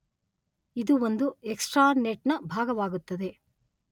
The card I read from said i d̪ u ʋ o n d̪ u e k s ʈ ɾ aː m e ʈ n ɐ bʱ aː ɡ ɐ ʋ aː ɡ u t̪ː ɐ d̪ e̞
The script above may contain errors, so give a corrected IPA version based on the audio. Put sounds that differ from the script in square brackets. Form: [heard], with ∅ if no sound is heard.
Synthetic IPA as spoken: i d̪ u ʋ o n d̪ u e k s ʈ ɾ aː [n] e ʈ n ɐ bʱ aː ɡ ɐ ʋ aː ɡ u t̪ː ɐ d̪ e̞